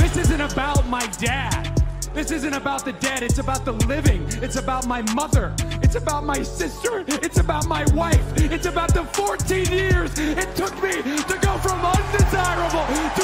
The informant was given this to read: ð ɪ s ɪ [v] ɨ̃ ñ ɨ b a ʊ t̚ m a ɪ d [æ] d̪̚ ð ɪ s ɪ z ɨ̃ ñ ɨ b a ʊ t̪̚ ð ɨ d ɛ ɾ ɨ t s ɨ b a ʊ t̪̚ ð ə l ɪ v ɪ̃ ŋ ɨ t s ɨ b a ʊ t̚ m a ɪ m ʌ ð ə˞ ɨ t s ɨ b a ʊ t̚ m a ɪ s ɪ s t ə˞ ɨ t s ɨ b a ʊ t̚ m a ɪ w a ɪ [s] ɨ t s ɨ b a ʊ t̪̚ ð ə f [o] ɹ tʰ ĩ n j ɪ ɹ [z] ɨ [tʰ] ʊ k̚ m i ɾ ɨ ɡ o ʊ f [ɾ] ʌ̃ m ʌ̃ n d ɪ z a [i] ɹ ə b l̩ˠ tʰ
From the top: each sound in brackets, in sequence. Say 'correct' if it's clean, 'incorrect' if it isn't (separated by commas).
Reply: incorrect, correct, incorrect, incorrect, correct, correct, incorrect, incorrect